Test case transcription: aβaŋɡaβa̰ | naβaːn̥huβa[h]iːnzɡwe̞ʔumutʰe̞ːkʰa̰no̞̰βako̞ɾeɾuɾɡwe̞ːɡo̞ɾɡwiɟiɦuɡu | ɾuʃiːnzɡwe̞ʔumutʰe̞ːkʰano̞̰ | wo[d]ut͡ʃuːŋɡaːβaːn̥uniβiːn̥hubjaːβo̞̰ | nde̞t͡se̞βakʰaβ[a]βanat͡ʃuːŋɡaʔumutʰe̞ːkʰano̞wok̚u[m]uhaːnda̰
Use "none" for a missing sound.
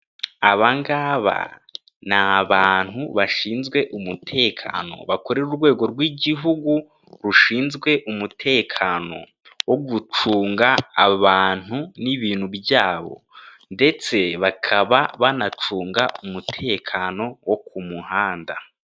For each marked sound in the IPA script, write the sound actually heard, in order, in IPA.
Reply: ʃ, ɡ, a, m

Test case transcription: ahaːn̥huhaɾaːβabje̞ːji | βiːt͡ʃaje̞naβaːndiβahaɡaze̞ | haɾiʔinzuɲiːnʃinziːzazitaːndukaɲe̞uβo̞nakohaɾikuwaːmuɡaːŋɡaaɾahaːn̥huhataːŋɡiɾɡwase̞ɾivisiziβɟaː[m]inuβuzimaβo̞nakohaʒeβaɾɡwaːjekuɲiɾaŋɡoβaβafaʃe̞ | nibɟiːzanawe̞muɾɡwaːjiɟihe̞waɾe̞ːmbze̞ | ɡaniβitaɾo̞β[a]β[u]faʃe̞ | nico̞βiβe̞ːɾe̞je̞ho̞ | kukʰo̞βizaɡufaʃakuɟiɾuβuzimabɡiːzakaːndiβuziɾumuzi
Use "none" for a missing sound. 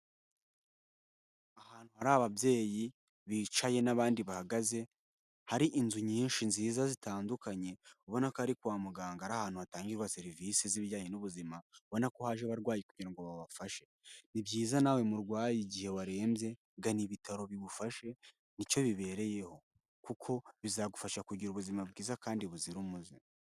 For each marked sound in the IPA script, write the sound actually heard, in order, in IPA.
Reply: ɲ, i, u

